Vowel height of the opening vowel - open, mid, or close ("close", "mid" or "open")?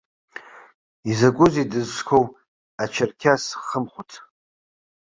close